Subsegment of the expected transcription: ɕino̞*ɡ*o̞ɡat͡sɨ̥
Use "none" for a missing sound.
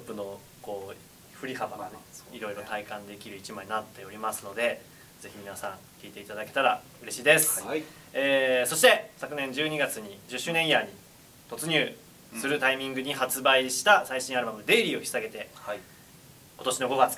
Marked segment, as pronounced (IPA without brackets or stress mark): ɡ